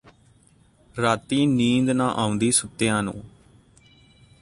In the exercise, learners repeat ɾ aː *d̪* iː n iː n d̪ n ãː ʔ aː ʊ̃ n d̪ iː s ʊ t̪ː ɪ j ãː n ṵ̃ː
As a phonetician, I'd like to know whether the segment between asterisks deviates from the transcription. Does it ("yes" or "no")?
yes